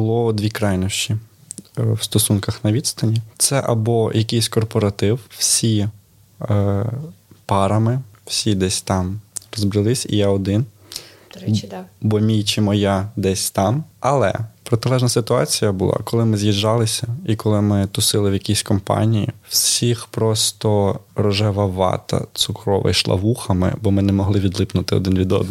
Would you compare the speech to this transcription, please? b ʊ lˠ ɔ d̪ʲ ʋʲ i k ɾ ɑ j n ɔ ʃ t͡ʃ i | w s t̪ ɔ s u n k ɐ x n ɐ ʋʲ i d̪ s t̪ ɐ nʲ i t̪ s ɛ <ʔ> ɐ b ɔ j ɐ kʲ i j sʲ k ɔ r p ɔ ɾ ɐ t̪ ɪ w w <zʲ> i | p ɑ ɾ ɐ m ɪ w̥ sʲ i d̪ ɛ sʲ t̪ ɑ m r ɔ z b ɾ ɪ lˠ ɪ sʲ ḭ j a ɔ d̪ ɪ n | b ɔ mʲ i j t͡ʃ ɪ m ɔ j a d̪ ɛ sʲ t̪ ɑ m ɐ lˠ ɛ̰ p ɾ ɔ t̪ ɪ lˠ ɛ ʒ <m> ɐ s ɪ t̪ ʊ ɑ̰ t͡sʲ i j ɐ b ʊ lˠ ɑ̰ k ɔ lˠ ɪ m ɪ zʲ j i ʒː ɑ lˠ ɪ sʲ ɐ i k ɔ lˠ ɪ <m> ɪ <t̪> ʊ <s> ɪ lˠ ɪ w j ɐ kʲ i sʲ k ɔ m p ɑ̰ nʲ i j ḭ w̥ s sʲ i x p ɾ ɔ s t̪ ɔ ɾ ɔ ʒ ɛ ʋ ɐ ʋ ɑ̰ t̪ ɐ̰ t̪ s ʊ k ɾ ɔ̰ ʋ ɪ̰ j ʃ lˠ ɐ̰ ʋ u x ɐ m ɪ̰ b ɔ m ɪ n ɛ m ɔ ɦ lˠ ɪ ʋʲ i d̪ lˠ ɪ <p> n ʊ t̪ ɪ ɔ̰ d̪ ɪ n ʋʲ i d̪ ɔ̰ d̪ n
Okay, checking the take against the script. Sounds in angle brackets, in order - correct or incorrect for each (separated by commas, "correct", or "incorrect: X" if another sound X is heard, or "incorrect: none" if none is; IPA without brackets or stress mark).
correct, incorrect: sʲ, incorrect: n, correct, correct, correct, correct